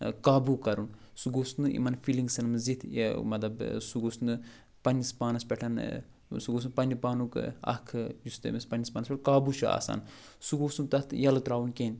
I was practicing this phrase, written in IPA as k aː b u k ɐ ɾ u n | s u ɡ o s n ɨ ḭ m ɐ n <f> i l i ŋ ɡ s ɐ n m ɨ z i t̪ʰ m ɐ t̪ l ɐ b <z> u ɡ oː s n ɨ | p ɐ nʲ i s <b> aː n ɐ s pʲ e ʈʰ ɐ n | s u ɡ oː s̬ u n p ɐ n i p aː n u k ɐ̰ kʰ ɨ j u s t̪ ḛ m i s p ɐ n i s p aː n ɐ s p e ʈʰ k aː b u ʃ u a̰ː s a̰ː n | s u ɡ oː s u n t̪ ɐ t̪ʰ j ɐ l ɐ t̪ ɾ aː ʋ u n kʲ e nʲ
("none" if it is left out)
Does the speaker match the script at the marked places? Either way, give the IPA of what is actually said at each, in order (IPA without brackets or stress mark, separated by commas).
f, s, p